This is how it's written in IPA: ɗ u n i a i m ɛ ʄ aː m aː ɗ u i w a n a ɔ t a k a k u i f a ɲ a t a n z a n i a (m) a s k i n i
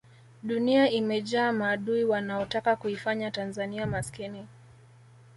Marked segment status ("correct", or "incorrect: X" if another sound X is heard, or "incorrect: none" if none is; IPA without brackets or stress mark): correct